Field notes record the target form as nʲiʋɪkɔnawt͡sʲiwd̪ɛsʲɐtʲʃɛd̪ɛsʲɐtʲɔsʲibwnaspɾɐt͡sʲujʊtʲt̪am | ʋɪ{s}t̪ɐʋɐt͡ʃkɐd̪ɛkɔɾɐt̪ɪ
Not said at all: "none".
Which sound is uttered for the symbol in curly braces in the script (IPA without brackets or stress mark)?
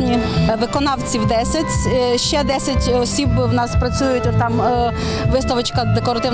s